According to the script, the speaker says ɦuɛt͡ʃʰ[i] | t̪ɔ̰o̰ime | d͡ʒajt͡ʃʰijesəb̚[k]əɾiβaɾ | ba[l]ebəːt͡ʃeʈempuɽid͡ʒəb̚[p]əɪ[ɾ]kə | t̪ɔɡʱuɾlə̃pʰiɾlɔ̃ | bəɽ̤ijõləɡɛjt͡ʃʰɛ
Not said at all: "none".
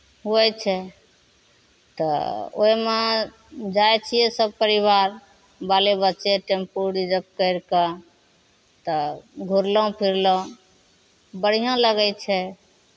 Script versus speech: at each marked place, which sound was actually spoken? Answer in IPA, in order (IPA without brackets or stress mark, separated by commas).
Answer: ɛ, p, l, k, ɾ